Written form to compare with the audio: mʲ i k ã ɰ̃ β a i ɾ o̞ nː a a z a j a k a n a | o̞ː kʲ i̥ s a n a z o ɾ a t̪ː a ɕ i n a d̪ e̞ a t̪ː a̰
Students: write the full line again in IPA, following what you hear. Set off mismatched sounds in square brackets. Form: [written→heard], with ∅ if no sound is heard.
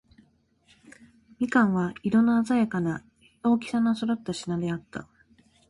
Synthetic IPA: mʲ i k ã ɰ̃ β a i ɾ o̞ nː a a z a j a k a n a | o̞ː kʲ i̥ s a n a [z→s] o ɾ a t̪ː a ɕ i n a d̪ e̞ a t̪ː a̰